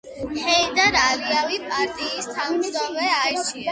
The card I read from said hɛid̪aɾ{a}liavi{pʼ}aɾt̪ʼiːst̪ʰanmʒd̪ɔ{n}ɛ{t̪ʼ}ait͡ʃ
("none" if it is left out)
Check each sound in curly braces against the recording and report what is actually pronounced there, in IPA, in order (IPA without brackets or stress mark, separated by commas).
a, pʼ, m, none